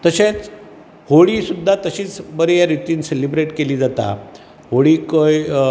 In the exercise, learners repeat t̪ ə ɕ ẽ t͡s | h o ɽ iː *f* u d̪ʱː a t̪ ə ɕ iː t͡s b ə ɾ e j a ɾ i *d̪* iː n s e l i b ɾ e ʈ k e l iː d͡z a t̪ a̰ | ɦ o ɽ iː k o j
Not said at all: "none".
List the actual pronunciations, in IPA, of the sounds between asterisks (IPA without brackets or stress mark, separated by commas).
s, t̪